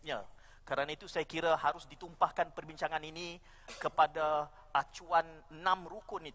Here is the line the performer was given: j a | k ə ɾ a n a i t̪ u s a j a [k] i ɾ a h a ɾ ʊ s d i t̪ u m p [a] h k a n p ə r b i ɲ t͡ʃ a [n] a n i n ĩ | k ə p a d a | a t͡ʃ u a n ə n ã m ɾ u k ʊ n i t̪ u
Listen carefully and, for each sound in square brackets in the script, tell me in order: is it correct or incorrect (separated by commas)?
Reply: correct, correct, incorrect